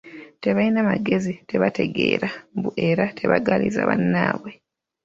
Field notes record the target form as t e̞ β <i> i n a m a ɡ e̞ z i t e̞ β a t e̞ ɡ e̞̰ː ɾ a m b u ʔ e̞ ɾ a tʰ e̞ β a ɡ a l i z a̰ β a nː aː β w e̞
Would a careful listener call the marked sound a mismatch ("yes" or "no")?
yes